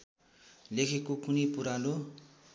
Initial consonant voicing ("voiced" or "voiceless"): voiced